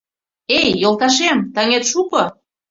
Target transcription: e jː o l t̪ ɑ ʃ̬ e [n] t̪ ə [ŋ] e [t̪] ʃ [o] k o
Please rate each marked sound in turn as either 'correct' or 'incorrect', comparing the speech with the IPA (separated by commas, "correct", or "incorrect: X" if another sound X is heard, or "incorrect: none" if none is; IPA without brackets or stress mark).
incorrect: m, correct, correct, incorrect: u